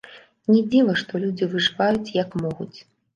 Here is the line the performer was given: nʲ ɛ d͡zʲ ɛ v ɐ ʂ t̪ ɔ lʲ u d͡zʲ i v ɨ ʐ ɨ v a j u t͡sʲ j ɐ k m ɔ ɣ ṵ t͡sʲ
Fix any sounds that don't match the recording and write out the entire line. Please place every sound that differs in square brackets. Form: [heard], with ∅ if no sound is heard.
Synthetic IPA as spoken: nʲ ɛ d͡zʲ [i] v ɐ ʂ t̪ ɔ lʲ u d͡zʲ i v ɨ ʐ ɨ v a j u t͡sʲ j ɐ k m ɔ ɣ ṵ t͡sʲ